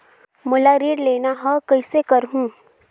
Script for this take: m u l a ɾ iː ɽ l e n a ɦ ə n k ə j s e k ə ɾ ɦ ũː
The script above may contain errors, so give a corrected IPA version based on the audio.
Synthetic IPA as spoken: m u l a ɾ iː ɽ l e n a ɦ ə k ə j s e k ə ɾ ɦ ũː